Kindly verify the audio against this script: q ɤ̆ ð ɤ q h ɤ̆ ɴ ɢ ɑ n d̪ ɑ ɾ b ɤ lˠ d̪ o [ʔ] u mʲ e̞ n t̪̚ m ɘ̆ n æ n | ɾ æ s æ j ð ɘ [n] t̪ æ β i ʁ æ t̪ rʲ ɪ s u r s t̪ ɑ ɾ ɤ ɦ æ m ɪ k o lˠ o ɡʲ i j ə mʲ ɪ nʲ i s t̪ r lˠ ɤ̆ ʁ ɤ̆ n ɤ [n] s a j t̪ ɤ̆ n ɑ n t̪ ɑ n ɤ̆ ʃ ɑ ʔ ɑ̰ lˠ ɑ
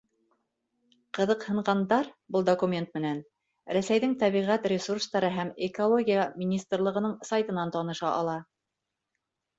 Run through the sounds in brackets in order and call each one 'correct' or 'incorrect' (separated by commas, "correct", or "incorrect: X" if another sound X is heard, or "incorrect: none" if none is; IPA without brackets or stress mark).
incorrect: k, incorrect: ŋ, incorrect: ɴ